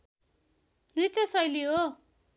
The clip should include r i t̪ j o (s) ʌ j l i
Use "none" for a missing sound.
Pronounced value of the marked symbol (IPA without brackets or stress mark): s